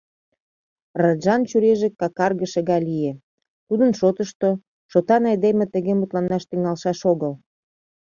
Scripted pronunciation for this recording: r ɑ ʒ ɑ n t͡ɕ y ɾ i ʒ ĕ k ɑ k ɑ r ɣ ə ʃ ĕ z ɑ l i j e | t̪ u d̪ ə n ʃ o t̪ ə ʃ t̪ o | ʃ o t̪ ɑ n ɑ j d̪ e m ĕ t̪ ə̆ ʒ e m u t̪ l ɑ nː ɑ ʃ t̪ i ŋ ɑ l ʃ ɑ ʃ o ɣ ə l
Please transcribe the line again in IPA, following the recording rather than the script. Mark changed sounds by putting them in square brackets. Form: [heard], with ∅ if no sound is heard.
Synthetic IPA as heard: r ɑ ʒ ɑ n t͡ɕ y ɾ [e] ʒ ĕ k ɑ k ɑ r ɣ ə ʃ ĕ [ɣ] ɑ l i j e | t̪ u d̪ ə n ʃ o t̪ ə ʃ t̪ o | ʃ o t̪ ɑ n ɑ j d̪ e m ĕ t̪ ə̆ [ɣ] e m u t̪ l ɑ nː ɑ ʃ t̪ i ŋ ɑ l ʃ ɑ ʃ o ɣ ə l

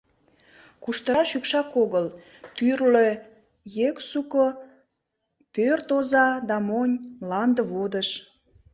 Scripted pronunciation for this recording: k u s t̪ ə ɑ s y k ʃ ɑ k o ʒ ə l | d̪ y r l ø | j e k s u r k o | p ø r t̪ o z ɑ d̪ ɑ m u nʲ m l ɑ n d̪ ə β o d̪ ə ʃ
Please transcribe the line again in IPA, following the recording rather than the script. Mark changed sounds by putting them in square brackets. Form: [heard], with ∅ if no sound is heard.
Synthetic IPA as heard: k u [ʃ] t̪ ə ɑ [ʃ] y k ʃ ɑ k o [ɣ] ə l | [t̪] y r l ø | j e k s u [∅] k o | p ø r t̪ o z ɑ d̪ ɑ m [o] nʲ m l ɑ n d̪ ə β o d̪ ə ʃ

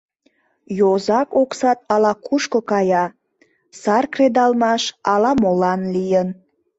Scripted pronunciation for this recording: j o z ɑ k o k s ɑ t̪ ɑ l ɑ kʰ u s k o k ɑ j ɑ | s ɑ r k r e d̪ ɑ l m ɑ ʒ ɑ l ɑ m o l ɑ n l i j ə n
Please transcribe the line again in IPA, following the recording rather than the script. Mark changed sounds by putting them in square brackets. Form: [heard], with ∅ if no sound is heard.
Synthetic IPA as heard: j o z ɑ k o k s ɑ t̪ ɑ l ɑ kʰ u [ʃ] k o k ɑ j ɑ | s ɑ r k r e d̪ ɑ l m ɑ [ʃ] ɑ l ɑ m o l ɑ n l i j ə n

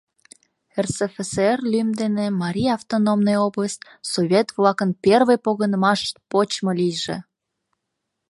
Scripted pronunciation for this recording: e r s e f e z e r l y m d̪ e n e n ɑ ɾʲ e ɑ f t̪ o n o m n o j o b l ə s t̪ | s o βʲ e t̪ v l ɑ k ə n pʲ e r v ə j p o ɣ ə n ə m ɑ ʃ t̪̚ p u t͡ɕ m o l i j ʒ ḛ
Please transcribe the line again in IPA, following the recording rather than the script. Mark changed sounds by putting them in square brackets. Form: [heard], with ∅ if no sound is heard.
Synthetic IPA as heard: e r s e f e [s] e r l y m d̪ e n e [m] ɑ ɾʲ [i] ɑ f t̪ o n o m n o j o b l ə s t̪ | s o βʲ e t̪ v l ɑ k ə n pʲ e r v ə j p o ɣ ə n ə m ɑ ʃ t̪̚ p [o] t͡ɕ m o l i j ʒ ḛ

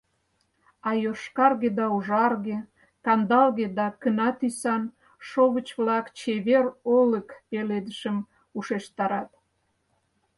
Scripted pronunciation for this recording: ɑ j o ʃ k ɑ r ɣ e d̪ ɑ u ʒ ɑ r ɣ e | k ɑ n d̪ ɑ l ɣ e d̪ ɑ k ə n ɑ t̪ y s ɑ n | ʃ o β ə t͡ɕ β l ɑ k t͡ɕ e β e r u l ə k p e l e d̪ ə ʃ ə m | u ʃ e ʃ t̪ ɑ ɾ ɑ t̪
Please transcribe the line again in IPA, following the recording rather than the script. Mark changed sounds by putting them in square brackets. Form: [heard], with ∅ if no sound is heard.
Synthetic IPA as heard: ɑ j o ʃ k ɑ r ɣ e d̪ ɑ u ʒ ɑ r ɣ e | k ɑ n d̪ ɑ l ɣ e d̪ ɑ k ə n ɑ t̪ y s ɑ n | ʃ o β ə t͡ɕ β l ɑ k t͡ɕ e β e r [o] l ə k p e l e d̪ ə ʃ ə m | u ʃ e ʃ t̪ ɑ ɾ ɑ t̪

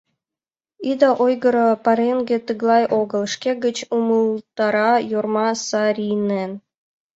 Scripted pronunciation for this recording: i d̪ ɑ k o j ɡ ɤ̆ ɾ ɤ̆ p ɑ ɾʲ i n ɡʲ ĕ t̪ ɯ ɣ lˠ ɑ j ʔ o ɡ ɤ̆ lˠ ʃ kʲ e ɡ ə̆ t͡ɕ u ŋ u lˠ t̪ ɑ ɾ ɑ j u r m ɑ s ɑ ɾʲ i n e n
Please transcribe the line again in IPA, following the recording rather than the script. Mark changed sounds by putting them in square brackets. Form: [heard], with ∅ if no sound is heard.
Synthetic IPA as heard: i d̪ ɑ [ʔ] o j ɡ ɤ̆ ɾ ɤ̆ p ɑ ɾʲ [e] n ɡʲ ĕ t̪ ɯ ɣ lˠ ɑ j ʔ o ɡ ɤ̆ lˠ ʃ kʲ e ɡ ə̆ t͡ɕ u [m] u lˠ t̪ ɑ ɾ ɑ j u r m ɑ s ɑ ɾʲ i n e n

